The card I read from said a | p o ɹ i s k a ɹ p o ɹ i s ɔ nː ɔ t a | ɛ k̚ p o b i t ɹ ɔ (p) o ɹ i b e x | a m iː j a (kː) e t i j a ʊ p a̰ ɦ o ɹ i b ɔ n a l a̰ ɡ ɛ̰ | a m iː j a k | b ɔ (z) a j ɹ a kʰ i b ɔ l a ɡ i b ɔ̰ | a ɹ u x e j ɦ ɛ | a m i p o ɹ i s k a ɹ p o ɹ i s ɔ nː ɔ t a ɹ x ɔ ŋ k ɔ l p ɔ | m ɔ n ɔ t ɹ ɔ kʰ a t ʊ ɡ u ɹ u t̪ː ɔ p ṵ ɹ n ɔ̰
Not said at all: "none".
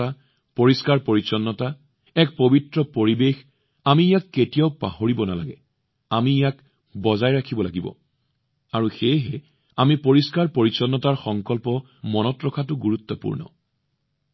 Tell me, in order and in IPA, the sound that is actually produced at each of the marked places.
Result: p, kː, z

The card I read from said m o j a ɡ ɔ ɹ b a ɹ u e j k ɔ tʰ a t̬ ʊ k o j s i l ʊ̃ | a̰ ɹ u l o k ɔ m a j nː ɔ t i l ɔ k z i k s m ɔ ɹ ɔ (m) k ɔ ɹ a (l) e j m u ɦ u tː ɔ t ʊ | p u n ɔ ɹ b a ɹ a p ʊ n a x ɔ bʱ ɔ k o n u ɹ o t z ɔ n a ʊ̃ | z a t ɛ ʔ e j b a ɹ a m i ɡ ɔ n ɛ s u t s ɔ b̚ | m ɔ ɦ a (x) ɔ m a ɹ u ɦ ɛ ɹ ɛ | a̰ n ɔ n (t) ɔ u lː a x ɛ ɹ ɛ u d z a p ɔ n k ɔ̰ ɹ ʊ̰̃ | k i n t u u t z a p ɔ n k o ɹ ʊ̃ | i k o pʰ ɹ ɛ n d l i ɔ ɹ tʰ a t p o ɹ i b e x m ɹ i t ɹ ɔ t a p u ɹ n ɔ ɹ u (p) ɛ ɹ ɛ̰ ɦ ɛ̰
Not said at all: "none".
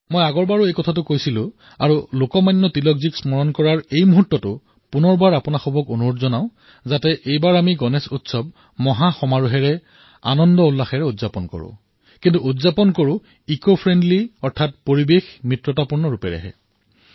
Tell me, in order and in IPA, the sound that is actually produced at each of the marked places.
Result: n, ɹ, x, d, p

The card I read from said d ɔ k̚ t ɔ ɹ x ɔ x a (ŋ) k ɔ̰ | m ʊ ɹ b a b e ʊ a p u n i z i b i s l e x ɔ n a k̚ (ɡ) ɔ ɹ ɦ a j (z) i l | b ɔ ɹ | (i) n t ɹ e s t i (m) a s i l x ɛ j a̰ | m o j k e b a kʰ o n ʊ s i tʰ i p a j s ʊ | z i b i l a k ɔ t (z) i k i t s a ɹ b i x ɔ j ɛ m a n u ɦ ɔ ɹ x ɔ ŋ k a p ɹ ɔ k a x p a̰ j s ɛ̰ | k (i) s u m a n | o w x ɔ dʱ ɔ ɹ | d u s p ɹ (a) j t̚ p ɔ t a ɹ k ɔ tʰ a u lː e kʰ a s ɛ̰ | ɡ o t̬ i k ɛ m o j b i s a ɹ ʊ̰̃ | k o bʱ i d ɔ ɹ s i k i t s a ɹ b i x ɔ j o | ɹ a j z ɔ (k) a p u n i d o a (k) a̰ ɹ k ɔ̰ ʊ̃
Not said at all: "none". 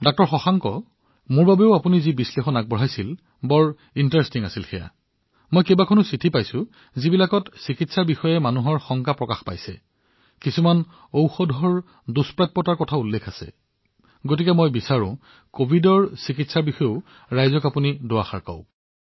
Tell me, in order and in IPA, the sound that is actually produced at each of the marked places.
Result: ŋ, b, s, i, ŋ, s, i, a, k, x

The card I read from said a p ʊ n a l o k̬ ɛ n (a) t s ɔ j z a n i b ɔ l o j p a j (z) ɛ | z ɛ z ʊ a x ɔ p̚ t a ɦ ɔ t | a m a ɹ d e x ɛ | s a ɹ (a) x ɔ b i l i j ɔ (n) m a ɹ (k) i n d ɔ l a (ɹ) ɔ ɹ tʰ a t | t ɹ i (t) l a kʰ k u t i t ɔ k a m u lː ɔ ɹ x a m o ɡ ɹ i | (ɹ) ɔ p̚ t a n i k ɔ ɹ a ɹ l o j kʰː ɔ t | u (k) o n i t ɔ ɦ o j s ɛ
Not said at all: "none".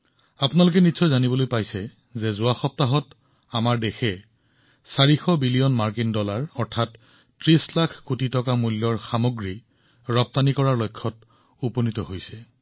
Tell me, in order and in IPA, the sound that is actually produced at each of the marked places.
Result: i, s, i, n, k, ɹ, s, ɹ, p

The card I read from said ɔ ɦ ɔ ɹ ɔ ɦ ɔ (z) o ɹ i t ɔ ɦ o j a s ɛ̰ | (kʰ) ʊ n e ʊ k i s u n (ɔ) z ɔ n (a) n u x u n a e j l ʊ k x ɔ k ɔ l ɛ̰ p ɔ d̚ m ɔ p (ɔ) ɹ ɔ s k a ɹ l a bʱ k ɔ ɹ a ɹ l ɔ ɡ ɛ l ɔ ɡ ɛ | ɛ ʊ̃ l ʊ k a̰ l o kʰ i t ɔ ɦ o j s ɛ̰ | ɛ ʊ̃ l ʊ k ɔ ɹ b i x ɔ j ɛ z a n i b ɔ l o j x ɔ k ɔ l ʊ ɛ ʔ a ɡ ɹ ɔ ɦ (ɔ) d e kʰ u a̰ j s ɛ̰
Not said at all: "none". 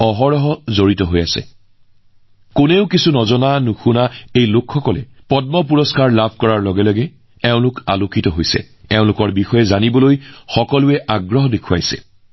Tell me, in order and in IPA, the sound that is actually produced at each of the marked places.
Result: z, k, ɔ, a, u, ɔ

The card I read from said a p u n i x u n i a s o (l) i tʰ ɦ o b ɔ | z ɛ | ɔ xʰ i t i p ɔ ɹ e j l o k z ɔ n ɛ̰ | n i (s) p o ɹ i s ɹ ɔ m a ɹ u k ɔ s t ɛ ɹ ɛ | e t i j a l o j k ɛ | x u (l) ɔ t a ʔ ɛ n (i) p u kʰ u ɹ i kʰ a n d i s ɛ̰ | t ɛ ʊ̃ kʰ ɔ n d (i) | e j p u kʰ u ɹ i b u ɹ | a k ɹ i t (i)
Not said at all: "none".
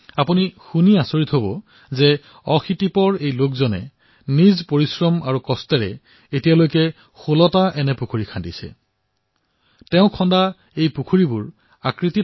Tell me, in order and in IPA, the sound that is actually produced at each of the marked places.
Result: ɹ, z, l, ɛ, a, i

